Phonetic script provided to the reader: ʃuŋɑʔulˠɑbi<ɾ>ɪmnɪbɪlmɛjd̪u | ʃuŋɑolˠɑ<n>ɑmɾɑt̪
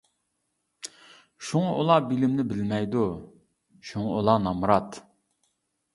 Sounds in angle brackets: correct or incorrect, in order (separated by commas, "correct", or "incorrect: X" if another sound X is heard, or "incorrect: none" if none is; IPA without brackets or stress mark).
incorrect: l, correct